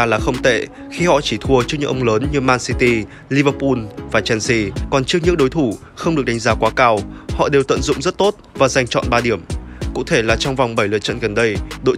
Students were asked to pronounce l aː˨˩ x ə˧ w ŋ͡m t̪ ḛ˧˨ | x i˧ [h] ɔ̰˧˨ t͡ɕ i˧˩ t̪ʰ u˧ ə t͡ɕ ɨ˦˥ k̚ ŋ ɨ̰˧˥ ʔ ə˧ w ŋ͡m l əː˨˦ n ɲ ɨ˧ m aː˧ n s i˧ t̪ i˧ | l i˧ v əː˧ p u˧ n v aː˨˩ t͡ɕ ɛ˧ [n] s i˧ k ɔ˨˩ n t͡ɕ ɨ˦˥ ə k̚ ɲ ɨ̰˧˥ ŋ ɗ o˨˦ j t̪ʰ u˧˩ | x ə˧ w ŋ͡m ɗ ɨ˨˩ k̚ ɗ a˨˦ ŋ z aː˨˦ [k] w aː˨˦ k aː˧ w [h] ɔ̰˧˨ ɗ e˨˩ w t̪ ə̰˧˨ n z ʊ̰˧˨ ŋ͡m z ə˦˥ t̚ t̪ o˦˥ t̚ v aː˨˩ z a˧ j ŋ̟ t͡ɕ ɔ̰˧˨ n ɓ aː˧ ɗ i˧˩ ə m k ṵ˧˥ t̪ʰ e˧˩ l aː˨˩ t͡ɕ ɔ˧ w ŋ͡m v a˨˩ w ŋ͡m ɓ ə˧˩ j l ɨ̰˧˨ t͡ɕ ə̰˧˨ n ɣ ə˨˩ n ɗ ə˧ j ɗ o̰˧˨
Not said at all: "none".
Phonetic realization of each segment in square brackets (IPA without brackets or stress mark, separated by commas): h, n, k, h